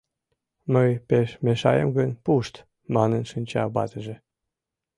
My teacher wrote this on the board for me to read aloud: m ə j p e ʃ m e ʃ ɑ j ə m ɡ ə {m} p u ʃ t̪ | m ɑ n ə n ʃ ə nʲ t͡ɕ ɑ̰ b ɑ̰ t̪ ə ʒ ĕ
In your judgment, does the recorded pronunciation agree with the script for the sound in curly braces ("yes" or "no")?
no